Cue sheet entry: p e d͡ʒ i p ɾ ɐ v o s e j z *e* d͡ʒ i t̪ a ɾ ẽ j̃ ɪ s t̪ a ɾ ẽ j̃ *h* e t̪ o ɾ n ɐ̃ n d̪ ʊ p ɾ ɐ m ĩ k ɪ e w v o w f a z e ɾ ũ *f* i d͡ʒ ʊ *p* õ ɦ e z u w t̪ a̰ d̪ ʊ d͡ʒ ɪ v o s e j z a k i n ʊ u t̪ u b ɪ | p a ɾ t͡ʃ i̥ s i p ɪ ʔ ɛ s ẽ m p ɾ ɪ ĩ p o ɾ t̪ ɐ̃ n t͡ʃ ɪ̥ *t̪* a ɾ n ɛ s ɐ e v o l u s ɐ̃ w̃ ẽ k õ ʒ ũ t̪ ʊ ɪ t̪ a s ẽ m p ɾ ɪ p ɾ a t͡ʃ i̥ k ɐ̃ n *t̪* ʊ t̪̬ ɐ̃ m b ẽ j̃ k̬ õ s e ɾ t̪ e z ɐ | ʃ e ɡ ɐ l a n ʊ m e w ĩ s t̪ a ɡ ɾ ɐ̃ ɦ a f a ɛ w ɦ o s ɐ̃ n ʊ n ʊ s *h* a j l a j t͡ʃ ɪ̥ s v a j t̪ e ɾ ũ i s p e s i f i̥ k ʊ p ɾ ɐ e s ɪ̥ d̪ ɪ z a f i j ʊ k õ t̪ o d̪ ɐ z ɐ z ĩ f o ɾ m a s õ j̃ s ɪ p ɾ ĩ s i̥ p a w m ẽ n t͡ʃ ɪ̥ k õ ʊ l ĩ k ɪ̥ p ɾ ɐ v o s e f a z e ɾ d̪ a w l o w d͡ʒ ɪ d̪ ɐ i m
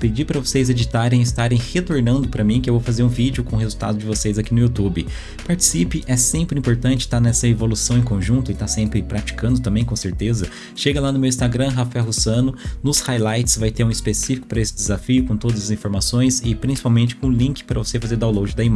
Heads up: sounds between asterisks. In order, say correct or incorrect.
correct, correct, incorrect, incorrect, correct, incorrect, correct

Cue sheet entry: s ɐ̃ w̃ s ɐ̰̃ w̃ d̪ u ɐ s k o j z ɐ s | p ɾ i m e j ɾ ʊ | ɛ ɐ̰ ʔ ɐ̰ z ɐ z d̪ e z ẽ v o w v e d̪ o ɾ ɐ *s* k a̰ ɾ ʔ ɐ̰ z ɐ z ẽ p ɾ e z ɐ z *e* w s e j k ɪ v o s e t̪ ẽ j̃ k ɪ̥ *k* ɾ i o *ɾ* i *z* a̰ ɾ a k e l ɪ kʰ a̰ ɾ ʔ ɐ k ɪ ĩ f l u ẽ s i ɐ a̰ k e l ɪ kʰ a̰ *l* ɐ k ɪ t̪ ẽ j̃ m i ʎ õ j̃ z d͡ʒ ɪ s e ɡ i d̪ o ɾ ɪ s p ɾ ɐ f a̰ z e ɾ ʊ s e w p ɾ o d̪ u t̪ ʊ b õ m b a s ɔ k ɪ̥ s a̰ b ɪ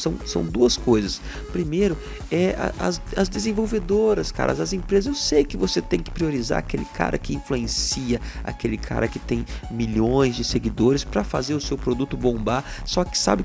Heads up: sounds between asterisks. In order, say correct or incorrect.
correct, correct, incorrect, correct, correct, incorrect

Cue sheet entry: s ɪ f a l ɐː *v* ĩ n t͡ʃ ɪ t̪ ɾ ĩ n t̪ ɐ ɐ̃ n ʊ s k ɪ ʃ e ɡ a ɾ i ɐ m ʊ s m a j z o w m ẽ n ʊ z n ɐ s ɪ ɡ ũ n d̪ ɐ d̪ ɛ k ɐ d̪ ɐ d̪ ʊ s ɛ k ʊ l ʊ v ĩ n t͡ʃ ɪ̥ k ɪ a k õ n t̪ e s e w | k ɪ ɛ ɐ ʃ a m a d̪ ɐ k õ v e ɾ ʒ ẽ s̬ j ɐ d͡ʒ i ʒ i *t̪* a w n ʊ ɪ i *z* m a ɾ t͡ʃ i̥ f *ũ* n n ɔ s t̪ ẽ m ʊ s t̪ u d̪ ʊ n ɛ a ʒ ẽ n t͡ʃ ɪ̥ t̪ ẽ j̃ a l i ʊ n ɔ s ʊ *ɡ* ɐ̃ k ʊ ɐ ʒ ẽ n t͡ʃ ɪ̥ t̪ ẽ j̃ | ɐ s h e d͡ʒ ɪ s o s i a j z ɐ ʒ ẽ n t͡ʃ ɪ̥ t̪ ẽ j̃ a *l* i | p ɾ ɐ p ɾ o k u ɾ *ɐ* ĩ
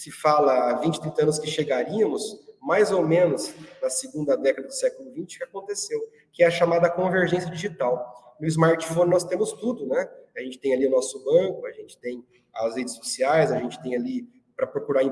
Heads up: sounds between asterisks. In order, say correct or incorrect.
correct, correct, correct, incorrect, incorrect, correct, incorrect

